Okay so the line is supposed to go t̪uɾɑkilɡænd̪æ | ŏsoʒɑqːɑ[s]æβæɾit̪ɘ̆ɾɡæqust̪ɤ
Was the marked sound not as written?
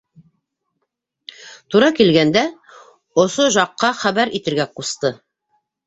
yes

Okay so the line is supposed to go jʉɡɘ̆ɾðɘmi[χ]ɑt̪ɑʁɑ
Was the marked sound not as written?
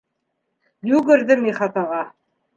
no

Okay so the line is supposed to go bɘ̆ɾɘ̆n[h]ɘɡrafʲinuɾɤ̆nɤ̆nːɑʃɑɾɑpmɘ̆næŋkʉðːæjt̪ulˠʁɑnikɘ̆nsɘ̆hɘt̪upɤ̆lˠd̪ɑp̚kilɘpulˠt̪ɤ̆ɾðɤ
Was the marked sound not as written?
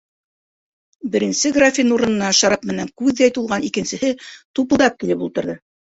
yes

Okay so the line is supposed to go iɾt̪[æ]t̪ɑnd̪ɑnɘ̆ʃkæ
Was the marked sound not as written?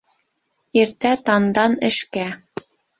no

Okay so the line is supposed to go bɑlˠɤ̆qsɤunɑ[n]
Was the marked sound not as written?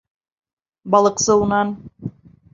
no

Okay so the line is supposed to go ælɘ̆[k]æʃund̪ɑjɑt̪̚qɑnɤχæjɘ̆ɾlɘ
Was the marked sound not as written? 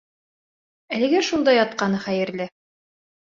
yes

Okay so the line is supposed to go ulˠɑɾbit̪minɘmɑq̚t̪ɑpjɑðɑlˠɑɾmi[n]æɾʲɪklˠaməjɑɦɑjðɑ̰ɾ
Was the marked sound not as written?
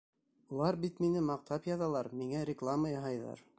yes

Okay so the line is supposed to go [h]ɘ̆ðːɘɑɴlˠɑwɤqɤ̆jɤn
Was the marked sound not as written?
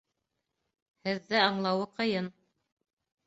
no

